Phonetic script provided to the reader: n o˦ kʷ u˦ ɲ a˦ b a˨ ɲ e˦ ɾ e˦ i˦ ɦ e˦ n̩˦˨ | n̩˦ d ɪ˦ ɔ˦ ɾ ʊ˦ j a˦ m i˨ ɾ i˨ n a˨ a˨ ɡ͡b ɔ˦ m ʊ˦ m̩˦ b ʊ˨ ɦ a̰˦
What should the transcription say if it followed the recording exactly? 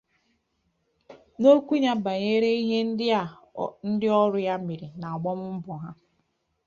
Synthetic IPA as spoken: n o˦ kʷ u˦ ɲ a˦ b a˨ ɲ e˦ ɾ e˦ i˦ ɦ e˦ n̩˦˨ | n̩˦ d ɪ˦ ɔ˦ ɾ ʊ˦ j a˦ m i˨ ɾ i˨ n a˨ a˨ ɡ͡b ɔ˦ m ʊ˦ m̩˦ b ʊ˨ ɦ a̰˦

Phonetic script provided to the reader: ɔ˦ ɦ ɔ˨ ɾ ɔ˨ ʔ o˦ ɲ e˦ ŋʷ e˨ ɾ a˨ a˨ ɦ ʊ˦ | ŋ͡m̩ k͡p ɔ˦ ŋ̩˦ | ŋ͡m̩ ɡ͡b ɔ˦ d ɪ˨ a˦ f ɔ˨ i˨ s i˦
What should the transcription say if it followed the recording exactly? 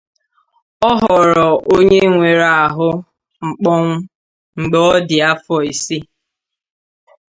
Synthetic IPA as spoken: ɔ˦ ɦ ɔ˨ ɾ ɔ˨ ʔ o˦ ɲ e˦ ŋʷ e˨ ɾ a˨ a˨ ɦ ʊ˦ | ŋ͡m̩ k͡p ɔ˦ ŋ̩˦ | ŋ͡m̩ ɡ͡b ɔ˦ d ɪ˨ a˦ f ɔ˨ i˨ s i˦

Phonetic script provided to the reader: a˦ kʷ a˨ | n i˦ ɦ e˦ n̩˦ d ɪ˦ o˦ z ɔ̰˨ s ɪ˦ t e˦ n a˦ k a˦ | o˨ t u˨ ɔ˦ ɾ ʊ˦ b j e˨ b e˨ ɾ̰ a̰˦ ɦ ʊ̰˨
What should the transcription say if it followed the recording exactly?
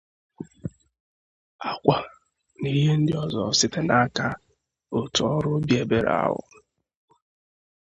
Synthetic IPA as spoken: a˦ kʷ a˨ | n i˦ ɦ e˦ n̩˦ d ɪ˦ ɔ˦ z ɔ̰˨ s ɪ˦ t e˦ n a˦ k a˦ | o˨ t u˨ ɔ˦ ɾ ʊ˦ b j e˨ b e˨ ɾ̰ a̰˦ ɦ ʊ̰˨

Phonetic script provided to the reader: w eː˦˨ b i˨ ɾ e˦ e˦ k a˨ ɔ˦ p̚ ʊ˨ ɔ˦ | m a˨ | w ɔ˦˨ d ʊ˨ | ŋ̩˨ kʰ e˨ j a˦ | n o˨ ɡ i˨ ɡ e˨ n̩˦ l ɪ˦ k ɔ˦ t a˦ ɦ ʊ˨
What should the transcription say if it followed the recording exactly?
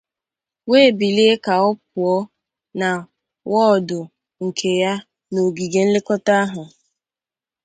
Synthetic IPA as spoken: w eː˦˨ b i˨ l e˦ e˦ k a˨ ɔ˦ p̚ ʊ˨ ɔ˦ | n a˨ | w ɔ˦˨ d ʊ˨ | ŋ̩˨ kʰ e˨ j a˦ | n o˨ ɡ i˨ ɡ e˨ n̩˦ l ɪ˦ k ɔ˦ t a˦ ɦ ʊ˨

